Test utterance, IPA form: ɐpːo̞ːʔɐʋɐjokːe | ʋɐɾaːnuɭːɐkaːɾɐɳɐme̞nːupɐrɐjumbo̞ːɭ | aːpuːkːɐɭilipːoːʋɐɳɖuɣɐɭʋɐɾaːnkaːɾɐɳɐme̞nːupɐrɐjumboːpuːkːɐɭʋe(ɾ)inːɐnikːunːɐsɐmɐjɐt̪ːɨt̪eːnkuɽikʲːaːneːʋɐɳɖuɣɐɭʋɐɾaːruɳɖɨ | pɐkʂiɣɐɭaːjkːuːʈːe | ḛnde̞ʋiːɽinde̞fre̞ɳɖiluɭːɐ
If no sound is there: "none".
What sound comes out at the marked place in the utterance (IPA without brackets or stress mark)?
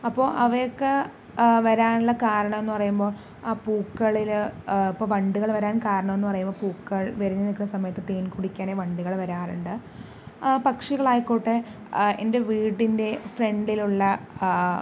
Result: ɾ